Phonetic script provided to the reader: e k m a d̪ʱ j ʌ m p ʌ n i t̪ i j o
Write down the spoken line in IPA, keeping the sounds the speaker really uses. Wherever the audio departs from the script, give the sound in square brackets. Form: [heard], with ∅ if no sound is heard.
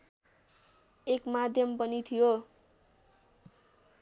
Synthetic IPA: e k m a d̪ʱ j ʌ m p ʌ n i [t̪ʰ] i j o